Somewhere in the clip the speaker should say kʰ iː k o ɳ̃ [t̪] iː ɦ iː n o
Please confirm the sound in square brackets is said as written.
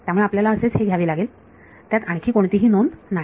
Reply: yes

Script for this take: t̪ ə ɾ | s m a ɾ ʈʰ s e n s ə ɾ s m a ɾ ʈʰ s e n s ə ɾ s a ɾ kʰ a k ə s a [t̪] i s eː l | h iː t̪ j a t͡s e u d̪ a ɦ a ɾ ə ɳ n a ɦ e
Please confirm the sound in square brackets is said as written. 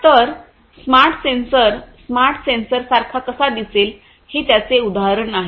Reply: no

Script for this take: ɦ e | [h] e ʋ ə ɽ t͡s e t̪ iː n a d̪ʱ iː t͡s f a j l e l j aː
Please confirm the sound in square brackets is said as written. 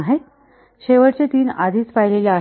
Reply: no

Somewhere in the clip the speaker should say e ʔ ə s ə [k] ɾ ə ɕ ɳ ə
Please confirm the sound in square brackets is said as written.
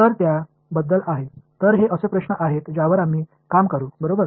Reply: no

